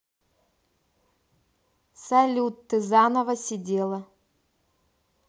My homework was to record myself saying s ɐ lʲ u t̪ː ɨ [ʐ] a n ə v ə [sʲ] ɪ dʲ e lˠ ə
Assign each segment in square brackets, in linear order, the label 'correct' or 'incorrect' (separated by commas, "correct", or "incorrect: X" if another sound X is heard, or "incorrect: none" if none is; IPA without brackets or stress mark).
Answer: incorrect: z, correct